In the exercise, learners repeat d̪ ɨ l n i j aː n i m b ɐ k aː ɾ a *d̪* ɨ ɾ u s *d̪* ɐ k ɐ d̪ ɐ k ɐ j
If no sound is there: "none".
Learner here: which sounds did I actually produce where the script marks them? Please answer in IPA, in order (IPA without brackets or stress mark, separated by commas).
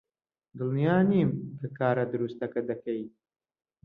d̪, t̪